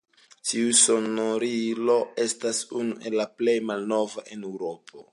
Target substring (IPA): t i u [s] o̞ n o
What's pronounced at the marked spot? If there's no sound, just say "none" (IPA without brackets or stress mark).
s